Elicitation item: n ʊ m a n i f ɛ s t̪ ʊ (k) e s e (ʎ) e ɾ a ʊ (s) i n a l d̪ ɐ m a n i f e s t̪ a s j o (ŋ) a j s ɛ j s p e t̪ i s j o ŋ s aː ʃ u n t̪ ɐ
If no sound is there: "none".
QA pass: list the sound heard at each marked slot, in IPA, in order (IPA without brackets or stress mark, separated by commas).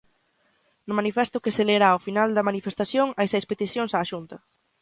k, l, f, ŋ